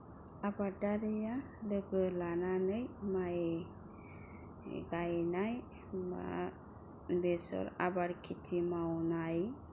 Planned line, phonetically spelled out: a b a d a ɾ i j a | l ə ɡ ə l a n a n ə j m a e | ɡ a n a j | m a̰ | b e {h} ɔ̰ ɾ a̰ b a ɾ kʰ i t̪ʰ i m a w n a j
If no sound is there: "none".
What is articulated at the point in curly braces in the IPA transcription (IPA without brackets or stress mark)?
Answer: s